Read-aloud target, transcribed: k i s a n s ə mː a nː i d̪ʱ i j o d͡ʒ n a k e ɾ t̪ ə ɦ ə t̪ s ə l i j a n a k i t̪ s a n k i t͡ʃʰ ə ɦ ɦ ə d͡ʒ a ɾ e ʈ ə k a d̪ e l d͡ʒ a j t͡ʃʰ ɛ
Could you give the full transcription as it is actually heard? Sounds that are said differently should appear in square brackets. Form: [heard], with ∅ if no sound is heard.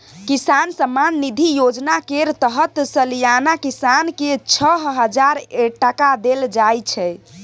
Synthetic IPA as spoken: k i s a n s ə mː a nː i d̪ʱ i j o d͡ʒ n a k e ɾ t̪ ə ɦ ə t̪ s ə l i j a n a k i [∅] s a n k [e] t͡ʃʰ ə ɦ ɦ ə d͡ʒ a ɾ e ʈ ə k a d̪ e l d͡ʒ a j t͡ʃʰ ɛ